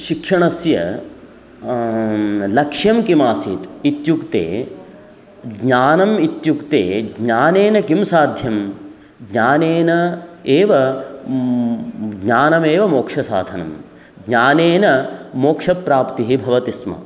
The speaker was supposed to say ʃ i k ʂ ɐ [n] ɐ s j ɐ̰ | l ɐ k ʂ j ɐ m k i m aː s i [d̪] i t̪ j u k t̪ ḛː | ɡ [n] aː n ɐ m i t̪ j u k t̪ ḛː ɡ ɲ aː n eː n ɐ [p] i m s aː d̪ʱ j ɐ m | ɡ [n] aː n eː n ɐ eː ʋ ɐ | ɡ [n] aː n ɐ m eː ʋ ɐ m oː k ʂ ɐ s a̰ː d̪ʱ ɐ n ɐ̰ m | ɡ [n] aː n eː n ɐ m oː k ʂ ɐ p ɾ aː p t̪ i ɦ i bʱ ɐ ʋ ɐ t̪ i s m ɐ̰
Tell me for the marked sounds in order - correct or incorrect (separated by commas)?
incorrect, incorrect, incorrect, incorrect, incorrect, incorrect, incorrect